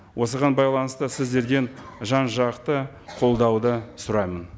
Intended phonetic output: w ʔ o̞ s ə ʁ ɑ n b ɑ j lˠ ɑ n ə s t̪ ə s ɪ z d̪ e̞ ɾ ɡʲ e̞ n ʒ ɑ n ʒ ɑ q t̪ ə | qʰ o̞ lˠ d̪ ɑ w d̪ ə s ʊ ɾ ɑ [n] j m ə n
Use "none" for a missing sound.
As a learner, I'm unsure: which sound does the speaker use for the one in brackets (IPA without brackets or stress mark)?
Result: none